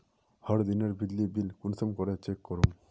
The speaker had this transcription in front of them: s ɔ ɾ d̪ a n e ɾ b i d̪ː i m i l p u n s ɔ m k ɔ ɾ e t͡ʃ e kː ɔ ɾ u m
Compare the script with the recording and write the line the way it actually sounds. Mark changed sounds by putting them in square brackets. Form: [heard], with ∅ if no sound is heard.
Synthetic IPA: [h] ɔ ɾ d̪ [i] n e ɾ b i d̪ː i [b] i l [k] u n s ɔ m k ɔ ɾ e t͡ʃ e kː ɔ ɾ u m